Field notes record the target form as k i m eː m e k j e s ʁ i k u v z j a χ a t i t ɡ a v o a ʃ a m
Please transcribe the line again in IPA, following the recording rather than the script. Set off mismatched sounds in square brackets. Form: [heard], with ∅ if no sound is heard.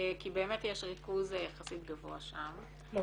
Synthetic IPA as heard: k i [b] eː m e [t] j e [ʃ] ʁ i k u [∅] z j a χ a [s] i t ɡ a v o a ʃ a m